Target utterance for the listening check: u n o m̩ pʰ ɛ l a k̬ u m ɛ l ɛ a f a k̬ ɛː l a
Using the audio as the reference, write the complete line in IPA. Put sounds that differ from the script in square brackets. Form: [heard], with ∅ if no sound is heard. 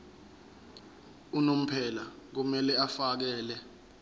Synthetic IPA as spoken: u n o m̩ pʰ ɛ l a k̬ u m ɛ l ɛ a f a k̬ ɛː l [ɛ]